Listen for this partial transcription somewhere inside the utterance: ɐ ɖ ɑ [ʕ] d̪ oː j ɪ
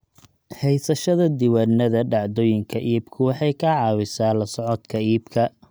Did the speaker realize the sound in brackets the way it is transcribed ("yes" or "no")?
yes